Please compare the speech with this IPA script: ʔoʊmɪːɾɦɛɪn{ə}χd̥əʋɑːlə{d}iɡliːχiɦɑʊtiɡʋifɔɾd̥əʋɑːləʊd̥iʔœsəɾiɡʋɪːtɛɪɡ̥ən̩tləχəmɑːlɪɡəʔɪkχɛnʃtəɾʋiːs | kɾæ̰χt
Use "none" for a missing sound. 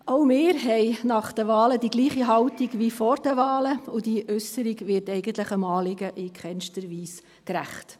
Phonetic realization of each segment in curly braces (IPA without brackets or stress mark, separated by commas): ɑ, d